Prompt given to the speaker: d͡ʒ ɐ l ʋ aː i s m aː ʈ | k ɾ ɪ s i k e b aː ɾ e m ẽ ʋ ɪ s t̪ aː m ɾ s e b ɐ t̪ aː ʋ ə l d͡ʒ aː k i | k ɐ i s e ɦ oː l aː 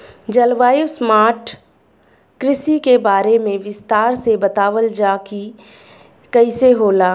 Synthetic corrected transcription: d͡ʒ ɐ l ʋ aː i s m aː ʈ | k ɾ ɪ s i k e b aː ɾ e m ẽ ʋ ɪ s t̪ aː ɾ s e b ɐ t̪ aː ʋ ə l d͡ʒ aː k i | k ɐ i s e ɦ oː l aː